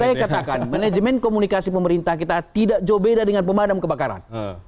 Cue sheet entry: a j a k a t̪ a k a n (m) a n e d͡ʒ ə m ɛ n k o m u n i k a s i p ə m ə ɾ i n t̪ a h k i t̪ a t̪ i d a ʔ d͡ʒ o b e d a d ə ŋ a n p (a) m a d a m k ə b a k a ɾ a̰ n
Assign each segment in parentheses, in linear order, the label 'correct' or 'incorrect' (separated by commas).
correct, incorrect